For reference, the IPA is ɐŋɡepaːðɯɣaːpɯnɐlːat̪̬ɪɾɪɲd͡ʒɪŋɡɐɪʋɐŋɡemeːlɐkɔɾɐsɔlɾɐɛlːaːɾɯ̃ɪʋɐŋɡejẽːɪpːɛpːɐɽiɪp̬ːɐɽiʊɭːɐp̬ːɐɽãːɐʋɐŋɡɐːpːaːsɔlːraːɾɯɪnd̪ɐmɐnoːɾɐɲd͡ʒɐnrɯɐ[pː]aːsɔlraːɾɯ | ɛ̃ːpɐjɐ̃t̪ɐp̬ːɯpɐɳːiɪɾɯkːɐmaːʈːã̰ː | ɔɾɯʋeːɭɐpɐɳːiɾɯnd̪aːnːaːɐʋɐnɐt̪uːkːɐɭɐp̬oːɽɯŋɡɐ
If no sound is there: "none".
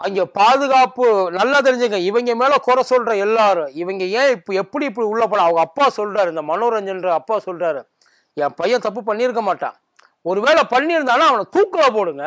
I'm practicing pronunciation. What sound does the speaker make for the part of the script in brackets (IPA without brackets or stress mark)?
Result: pː